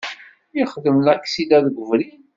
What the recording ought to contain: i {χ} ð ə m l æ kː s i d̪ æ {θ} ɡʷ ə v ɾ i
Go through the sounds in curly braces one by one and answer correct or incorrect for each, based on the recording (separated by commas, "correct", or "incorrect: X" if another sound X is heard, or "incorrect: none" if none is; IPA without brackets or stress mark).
correct, incorrect: ð